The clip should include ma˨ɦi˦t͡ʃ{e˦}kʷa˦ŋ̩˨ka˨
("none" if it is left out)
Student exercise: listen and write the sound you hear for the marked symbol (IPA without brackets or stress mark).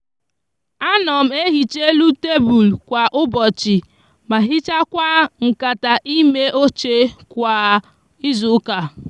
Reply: a˦